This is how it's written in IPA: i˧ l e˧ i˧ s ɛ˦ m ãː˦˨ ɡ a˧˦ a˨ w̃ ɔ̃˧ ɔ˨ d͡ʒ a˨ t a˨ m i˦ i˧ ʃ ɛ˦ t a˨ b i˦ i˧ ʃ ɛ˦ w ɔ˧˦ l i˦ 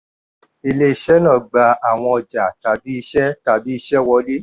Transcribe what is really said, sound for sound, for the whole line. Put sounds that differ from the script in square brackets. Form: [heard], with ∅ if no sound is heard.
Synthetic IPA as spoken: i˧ l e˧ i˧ [ʃ] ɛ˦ [n] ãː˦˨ [ɡ͡b] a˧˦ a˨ w̃ ɔ̃˧ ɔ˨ d͡ʒ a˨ t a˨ [b] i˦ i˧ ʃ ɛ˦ t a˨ b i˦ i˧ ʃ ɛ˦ w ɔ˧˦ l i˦